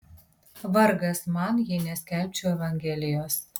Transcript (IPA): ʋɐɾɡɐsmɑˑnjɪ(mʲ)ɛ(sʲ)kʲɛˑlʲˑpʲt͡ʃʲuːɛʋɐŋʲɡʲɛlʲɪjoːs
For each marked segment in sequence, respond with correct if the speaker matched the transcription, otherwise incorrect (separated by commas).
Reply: incorrect, correct